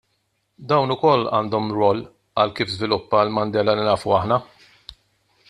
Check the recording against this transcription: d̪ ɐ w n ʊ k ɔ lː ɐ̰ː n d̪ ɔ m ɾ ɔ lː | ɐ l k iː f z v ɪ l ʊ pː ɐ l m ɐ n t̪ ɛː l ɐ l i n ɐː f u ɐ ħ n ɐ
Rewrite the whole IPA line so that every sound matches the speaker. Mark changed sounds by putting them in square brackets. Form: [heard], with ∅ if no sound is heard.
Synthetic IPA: d̪ ɐ w n ʊ k ɔ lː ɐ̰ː n d̪ ɔ m ɾ ɔ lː | ɐ l k iː f z v ɪ l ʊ pː ɐ l m ɐ n [d̪] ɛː l ɐ l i n ɐː f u ɐ ħ n ɐ